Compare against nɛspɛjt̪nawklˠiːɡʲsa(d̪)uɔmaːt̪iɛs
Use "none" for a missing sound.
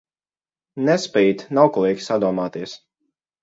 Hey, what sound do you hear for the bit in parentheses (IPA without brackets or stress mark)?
d̪